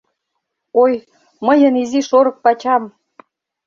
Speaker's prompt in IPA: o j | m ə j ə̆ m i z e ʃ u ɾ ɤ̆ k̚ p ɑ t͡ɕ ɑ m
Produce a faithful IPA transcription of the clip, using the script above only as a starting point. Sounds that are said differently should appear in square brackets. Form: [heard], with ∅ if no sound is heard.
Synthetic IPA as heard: o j | m ə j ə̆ [n] i z [i] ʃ [o] ɾ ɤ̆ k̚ p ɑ t͡ɕ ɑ m